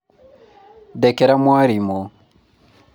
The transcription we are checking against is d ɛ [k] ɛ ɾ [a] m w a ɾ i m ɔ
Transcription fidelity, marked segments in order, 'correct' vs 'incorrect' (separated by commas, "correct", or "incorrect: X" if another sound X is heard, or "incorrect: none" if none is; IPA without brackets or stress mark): correct, correct